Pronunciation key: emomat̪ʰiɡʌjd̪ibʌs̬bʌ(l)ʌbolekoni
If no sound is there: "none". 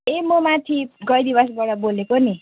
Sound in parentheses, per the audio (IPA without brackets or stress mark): ɽ